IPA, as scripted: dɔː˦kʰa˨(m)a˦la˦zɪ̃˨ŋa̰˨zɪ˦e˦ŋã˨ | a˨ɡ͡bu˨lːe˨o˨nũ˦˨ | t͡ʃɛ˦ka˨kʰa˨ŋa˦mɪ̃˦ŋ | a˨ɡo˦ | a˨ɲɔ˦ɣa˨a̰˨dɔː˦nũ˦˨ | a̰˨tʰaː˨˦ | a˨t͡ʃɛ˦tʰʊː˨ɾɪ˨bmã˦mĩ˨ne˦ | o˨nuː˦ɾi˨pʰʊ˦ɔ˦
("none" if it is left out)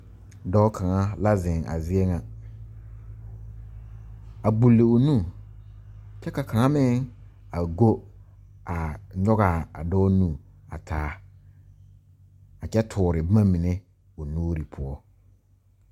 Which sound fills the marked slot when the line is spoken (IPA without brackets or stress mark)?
ŋ